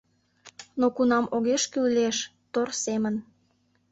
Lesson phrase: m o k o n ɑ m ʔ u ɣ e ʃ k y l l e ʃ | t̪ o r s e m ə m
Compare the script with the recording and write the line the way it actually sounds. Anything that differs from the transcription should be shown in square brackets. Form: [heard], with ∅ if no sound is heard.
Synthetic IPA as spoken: [n] o k [u] n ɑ m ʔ [o] ɣ e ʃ k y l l e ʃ | t̪ o r s e m ə [n]